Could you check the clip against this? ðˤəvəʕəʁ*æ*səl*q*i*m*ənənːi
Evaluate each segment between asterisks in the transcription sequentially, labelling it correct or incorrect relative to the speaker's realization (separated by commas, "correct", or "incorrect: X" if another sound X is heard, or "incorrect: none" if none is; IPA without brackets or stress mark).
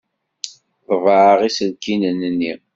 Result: incorrect: i, incorrect: k, incorrect: n